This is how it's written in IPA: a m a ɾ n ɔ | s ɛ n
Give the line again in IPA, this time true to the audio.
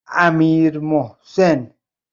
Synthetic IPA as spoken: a m i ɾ m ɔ | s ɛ n